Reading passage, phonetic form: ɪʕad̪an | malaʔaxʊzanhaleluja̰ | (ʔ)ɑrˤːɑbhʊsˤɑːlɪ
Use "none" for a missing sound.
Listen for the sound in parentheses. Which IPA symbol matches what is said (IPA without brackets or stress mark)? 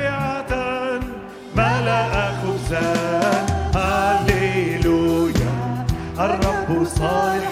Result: ʔ